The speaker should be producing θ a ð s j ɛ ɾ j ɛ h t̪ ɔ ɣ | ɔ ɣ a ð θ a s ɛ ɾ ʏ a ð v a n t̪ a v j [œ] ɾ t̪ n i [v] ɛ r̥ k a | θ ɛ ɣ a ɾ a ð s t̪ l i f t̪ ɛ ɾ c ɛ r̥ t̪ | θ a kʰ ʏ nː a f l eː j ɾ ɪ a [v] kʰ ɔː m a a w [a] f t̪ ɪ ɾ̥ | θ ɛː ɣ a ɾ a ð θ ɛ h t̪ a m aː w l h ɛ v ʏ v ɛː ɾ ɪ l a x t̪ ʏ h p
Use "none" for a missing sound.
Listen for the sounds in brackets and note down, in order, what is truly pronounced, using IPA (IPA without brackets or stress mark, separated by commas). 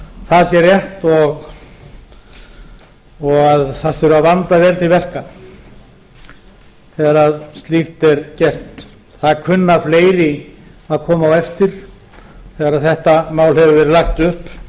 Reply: ɛ, v, ð, ɛ